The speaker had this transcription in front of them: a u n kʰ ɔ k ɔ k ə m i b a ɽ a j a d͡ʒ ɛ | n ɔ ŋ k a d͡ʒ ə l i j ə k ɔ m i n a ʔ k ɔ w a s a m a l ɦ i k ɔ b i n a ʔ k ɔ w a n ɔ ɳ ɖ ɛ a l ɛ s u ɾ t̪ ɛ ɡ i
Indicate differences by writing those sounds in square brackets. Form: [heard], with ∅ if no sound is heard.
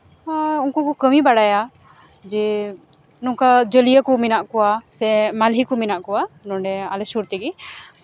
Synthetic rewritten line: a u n [k] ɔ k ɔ k ə m i b a ɽ a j a d͡ʒ ɛ | n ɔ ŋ k a d͡ʒ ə l i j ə k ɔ m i n a ʔ k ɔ w a s [ɛ] m a l ɦ i k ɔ [m] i n a ʔ k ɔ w a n ɔ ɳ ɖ ɛ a l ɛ s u ɾ t̪ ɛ ɡ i